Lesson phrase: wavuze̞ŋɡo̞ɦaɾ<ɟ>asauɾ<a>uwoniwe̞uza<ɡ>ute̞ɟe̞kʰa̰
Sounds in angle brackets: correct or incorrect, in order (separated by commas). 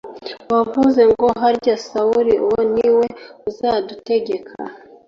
correct, incorrect, incorrect